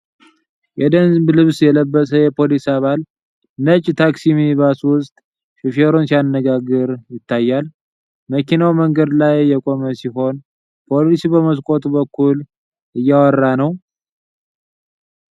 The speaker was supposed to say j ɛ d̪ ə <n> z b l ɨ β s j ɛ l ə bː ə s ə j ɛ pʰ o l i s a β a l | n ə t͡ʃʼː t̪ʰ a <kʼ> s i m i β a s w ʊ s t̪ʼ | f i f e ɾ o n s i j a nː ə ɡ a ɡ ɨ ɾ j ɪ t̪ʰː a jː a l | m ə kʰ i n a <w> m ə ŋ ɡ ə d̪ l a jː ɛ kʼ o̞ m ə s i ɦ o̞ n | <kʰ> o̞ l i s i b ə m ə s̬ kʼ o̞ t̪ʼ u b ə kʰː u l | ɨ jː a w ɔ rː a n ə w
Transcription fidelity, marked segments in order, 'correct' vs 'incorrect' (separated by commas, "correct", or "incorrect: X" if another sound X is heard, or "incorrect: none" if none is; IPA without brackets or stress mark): correct, incorrect: k, correct, incorrect: pʰ